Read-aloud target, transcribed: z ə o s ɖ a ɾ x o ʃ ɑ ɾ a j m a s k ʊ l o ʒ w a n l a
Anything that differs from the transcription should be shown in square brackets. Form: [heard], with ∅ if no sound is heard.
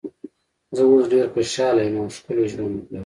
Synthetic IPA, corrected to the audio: z ə o s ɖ [e] ɾ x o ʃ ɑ [l] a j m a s k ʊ l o ʒ w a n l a